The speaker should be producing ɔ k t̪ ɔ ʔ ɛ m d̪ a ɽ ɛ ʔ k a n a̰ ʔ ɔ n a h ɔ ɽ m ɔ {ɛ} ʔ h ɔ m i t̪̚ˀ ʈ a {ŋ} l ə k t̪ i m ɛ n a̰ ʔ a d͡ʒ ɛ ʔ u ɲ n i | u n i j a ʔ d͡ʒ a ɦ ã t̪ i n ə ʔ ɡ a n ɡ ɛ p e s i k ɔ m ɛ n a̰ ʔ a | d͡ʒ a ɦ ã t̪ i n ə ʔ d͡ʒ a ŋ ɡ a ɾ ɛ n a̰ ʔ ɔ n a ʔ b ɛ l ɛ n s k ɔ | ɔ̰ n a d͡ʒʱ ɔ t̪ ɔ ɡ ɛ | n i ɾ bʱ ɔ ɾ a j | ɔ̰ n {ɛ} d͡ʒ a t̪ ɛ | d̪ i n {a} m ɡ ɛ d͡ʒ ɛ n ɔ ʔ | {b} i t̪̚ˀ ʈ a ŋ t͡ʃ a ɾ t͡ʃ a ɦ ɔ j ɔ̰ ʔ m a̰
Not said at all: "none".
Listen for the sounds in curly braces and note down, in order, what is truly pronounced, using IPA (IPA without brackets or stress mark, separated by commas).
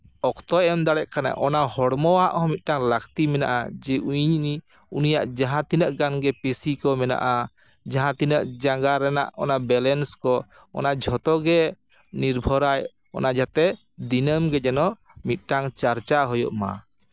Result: a, ŋ, a, ə, m